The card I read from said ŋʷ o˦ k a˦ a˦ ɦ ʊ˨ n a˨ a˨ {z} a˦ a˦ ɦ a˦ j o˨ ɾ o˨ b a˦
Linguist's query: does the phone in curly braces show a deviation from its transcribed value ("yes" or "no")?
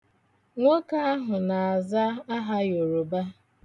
no